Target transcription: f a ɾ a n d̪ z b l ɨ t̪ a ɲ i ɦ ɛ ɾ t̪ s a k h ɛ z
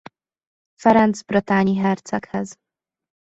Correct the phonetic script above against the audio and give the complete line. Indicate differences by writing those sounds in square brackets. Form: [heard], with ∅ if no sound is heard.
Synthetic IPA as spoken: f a ɾ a n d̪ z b [ɾ] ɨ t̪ a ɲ i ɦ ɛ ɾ t̪ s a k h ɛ z

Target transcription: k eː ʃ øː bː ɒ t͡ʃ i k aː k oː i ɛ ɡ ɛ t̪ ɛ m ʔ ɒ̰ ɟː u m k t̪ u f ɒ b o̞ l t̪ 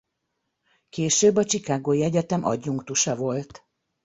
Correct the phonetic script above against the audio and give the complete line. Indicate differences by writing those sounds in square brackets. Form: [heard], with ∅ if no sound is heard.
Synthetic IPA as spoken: k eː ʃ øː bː ɒ t͡ʃ i k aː [ɡ] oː i ɛ [ɟ] ɛ t̪ ɛ m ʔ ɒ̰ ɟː u [ŋ] k t̪ u [ʃ] ɒ [v] o̞ l t̪

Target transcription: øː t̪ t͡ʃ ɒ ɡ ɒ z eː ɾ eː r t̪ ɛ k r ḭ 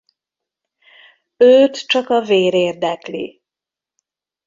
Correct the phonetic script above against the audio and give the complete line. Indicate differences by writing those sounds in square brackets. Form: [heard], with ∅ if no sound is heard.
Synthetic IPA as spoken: øː t̪ t͡ʃ ɒ [k] ɒ [v] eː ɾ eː r [d̪] ɛ k [l] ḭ

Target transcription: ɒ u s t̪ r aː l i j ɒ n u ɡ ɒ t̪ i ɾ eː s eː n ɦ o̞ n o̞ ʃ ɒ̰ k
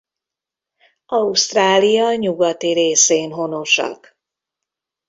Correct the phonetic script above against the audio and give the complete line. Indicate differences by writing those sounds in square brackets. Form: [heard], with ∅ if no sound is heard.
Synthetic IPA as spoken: ɒ u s t̪ r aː l i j ɒ [ɲ] u ɡ ɒ t̪ i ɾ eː s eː n ɦ o̞ n o̞ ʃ ɒ̰ k

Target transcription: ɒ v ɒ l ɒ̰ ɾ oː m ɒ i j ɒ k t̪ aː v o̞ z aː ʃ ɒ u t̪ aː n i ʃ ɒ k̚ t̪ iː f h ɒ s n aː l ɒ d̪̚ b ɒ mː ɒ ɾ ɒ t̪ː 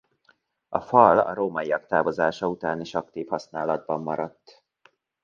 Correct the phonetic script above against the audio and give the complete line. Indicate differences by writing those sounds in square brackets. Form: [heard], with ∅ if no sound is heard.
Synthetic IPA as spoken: ɒ [f] ɒ l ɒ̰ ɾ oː m ɒ i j ɒ k t̪ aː v o̞ z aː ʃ ɒ u t̪ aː n i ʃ ɒ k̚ t̪ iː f h ɒ s n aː l ɒ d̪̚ b ɒ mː ɒ ɾ ɒ t̪ː

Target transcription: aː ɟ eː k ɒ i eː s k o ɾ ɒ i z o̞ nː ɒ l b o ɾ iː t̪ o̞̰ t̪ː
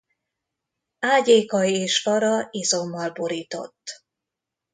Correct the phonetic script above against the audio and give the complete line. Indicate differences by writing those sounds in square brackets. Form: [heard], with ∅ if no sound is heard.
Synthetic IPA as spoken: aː ɟ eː k ɒ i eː [ʃ] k [ɒ] ɾ ɒ i z o̞ [mː] ɒ l b o ɾ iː t̪ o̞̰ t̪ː

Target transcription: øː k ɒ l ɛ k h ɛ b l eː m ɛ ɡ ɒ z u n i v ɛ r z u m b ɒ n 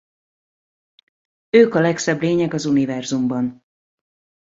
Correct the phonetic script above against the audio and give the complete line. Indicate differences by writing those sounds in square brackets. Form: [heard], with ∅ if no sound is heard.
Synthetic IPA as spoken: øː k ɒ l ɛ k [s] ɛ b l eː [ɲ] ɛ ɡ ɒ z u n i v ɛ r z u m b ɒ n

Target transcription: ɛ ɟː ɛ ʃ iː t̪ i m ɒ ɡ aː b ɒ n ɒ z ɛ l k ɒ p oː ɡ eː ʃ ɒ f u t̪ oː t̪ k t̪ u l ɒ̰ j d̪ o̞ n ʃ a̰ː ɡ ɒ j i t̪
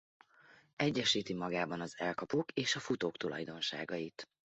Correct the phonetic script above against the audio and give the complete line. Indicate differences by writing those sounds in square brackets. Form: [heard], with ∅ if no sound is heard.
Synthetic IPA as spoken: ɛ ɟː ɛ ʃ iː t̪ i m ɒ ɡ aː b ɒ n ɒ z ɛ l k ɒ p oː [k] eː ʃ ɒ f u t̪ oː [∅] k t̪ u l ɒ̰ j d̪ o̞ n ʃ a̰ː ɡ ɒ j i t̪

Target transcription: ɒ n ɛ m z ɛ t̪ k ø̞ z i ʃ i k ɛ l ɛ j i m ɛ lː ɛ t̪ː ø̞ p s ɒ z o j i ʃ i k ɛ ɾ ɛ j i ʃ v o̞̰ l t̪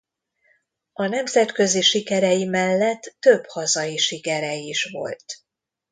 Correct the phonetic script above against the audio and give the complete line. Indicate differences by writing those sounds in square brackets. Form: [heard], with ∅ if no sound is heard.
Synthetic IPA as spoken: ɒ n ɛ m z ɛ t̪ k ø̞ z i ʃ i k ɛ [ɾ] ɛ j i m ɛ lː ɛ t̪ː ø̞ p [h] ɒ z [ɒ] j i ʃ i k ɛ ɾ ɛ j i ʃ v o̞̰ l t̪

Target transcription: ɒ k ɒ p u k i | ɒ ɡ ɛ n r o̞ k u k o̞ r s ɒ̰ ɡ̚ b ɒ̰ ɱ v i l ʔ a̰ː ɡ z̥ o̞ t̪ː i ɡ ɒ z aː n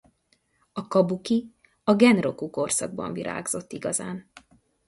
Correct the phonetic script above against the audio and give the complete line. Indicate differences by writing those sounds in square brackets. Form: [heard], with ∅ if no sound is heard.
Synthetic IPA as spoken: ɒ k ɒ [b] u k i | ɒ ɡ ɛ n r o̞ k u k o̞ r s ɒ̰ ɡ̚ b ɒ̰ ɱ v i [ɾ] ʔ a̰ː ɡ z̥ o̞ t̪ː i ɡ ɒ z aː n

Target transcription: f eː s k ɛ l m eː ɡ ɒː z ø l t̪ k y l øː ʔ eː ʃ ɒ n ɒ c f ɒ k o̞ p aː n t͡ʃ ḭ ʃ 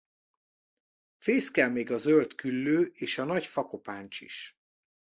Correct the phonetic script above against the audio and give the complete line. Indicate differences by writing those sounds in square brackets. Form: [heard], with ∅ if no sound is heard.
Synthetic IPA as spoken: f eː s k ɛ l m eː ɡ [ɒ] z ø l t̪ k y [lː] øː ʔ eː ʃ ɒ n ɒ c f ɒ k o̞ p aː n t͡ʃ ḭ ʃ

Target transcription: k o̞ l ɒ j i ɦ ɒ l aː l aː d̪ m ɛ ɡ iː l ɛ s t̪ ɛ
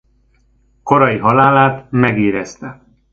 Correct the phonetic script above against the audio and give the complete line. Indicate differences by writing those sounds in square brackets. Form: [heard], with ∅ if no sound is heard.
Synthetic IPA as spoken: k o̞ [ɾ] ɒ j i ɦ ɒ l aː l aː [t̪] m ɛ ɡ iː [ɾ] ɛ s t̪ ɛ

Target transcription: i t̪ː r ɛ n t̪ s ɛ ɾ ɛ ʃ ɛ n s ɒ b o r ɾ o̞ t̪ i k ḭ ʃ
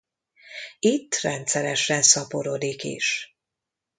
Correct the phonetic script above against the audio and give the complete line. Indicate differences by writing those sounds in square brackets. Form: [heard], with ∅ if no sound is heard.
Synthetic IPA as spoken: i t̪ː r ɛ n t̪ s ɛ ɾ ɛ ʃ ɛ n s ɒ [p] o [∅] ɾ o̞ [d̪] i k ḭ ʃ

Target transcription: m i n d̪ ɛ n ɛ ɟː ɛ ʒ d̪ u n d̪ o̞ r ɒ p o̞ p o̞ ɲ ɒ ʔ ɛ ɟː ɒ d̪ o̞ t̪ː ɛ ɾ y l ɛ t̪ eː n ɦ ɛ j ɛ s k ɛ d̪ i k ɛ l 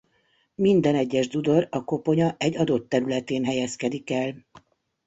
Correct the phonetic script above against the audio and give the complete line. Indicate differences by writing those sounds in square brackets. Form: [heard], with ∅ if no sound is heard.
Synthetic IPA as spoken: m i n d̪ ɛ n ɛ ɟː ɛ ʒ d̪ u [∅] d̪ o̞ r ɒ [k] o̞ p o̞ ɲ ɒ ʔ ɛ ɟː ɒ d̪ o̞ t̪ː ɛ ɾ y l ɛ t̪ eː n ɦ ɛ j ɛ s k ɛ d̪ i k ɛ l

